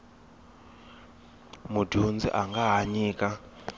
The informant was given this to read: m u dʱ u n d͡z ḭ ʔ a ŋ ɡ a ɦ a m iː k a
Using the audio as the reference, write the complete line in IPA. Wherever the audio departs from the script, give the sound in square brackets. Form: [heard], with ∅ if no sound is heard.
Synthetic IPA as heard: m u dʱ u n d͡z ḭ ʔ a ŋ ɡ a ɦ a [ɲ] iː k a